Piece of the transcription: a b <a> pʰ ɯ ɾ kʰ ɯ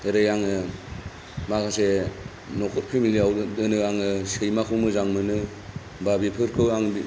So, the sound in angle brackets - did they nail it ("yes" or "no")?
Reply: no